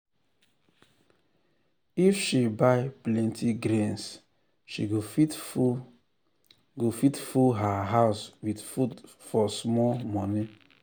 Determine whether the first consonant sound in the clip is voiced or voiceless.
voiceless